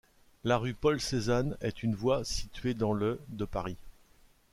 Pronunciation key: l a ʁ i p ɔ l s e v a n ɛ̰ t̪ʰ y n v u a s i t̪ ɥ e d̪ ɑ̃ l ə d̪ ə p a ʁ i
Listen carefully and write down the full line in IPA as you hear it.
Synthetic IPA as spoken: l a ʁ y p ɔ l s e z a n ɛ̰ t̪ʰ y n v w a s i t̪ ɥ e d̪ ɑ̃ l ə d̪ ə p a ʁ i